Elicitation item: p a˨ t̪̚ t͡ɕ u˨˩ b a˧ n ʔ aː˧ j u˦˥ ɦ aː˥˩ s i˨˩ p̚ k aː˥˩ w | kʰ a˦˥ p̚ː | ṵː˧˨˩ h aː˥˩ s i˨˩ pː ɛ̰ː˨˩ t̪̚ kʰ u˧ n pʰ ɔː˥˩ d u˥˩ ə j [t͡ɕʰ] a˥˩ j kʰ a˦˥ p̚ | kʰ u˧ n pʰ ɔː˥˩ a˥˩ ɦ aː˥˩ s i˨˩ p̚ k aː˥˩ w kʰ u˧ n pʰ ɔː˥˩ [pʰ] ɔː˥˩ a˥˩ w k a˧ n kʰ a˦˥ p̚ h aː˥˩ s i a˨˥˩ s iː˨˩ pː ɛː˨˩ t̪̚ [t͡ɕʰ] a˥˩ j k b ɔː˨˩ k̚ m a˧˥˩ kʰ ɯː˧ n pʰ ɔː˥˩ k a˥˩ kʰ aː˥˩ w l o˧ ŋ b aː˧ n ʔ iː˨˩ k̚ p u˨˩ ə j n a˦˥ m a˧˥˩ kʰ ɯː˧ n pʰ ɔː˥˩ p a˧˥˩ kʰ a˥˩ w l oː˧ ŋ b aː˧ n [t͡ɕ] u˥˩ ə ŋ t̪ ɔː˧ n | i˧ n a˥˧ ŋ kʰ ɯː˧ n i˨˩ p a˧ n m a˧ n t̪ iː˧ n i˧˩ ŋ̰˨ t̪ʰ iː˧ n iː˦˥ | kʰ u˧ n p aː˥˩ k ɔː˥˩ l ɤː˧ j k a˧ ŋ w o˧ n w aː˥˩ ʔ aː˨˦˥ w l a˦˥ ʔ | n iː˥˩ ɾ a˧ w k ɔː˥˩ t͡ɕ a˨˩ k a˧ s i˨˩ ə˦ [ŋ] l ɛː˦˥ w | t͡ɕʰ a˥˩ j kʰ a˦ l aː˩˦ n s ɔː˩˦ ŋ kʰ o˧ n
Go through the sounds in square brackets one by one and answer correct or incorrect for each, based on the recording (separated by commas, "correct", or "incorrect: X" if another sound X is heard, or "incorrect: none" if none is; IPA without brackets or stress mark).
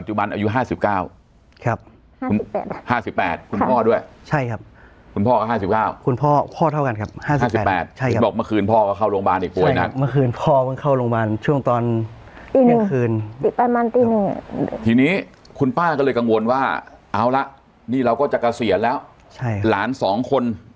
correct, correct, correct, incorrect: t͡ɕʰ, incorrect: n